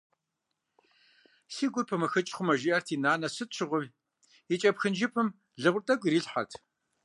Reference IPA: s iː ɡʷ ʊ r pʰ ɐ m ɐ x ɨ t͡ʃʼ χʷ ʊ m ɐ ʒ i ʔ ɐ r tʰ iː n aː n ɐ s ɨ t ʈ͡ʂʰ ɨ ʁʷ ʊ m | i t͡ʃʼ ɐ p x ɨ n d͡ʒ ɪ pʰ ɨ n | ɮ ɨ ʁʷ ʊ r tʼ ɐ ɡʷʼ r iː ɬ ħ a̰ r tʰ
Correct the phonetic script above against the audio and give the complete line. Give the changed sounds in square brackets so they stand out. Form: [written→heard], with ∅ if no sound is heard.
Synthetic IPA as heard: s iː ɡʷ ʊ r pʰ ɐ m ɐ x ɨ t͡ʃʼ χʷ ʊ m ɐ ʒ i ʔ ɐ r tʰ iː n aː n ɐ s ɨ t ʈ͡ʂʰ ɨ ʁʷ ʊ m | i t͡ʃʼ ɐ p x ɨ n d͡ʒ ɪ pʰ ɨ [n→m] | ɮ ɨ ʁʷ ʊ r tʼ ɐ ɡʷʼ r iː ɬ ħ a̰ r tʰ